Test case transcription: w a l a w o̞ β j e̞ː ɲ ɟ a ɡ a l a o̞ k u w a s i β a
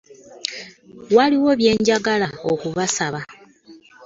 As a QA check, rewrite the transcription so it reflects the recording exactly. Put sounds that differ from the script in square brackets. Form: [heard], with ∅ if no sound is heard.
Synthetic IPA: w a l [i] w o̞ β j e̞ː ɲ ɟ a ɡ a l a o̞ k u [β] a s [a] β a